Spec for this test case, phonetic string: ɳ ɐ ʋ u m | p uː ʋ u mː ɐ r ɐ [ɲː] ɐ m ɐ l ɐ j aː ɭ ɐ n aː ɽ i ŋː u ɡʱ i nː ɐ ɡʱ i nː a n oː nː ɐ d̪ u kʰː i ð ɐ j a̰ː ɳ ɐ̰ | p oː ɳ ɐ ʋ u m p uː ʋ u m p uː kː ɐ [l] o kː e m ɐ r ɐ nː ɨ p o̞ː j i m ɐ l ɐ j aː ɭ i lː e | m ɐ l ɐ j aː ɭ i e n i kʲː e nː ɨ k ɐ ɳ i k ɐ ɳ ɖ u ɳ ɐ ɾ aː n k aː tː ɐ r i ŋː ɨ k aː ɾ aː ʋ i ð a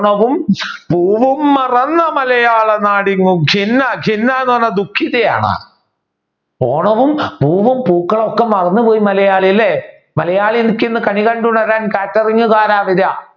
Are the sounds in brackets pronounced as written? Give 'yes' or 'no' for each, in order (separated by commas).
no, no